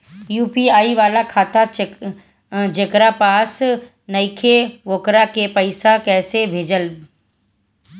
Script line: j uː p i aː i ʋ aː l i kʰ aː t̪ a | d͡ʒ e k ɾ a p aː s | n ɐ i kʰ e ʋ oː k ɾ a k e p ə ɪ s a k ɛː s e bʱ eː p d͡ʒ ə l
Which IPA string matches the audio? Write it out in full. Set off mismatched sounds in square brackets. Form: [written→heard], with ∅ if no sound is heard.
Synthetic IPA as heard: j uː p i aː i ʋ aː l [i→a] kʰ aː t̪ a | d͡ʒ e k ɾ a p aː s | n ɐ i kʰ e ʋ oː k ɾ a k e p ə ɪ s a k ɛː s e bʱ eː [p→∅] d͡ʒ ə l